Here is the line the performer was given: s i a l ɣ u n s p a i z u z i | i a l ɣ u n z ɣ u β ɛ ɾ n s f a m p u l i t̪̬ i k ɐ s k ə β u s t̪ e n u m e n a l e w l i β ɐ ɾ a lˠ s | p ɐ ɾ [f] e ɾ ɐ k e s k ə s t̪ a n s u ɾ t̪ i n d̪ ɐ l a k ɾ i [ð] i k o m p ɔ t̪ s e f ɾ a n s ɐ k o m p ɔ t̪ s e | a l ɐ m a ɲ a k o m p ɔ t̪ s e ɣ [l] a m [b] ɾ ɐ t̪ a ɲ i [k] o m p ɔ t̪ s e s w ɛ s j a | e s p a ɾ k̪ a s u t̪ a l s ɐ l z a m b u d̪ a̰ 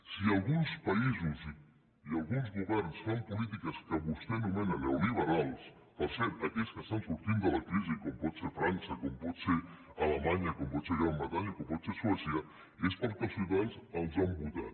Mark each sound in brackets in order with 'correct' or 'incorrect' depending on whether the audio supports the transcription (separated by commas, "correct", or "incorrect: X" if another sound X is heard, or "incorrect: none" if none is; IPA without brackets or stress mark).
incorrect: s, incorrect: z, incorrect: ɾ, correct, correct